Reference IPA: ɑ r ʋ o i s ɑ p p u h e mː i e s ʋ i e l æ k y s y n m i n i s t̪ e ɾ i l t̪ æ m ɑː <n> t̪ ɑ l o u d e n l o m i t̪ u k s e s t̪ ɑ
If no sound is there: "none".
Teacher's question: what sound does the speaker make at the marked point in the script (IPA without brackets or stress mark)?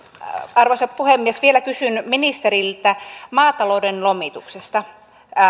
none